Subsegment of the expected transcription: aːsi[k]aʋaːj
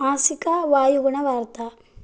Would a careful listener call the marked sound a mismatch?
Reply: no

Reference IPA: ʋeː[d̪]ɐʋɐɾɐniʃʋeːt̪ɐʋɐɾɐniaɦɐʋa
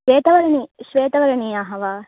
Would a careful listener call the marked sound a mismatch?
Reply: yes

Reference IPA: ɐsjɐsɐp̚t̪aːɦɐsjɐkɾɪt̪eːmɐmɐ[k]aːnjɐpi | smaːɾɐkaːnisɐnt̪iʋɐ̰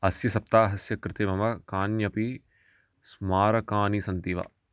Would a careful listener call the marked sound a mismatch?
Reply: no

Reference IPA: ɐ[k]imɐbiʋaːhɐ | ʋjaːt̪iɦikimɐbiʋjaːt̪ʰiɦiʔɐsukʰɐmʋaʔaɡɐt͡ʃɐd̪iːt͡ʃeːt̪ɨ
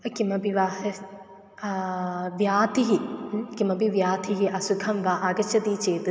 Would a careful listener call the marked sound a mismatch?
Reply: no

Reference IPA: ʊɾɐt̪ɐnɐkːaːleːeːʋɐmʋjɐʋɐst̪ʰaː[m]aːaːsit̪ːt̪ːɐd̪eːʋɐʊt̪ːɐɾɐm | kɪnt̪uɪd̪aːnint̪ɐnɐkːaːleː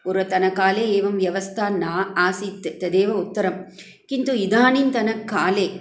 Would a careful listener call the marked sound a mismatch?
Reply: yes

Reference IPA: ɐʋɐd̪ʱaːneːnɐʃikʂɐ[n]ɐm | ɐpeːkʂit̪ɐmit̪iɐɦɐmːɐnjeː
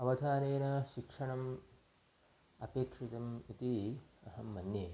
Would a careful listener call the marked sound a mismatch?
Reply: yes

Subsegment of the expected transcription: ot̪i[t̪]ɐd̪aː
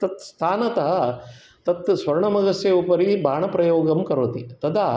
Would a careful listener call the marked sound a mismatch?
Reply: no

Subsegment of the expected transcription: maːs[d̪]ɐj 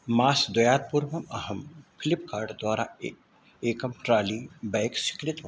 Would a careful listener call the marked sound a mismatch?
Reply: no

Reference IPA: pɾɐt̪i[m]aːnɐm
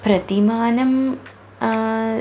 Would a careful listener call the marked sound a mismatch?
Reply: no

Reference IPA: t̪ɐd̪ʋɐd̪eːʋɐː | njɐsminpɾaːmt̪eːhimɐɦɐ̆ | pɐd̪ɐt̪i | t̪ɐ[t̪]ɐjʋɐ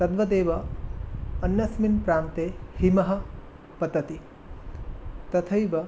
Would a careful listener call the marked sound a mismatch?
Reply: yes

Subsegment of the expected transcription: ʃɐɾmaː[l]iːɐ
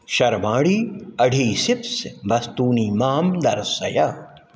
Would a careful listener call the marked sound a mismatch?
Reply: yes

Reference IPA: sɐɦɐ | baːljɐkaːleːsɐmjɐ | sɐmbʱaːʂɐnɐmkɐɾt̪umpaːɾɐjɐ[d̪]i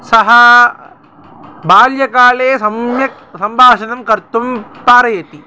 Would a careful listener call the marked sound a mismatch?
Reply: yes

